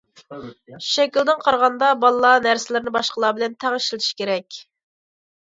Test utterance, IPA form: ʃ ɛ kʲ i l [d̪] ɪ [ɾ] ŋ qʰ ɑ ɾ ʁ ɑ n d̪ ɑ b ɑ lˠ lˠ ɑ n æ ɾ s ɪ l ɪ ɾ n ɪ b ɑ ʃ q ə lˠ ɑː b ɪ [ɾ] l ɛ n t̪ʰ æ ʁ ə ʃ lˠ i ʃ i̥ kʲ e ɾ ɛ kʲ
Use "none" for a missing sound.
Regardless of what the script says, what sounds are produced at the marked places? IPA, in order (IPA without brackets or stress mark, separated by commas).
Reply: d̪, none, none